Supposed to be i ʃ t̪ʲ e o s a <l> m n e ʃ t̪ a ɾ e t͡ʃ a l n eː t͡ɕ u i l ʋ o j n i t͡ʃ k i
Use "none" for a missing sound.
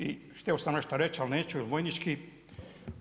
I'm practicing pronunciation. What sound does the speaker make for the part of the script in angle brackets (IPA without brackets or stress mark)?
none